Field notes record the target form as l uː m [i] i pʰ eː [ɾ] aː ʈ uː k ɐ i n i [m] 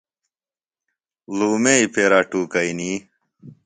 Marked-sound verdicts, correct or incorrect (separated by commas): incorrect, correct, incorrect